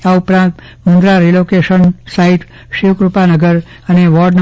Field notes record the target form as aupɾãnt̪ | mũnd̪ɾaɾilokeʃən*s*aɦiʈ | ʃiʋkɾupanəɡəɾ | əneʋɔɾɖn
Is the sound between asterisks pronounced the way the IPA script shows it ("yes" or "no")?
yes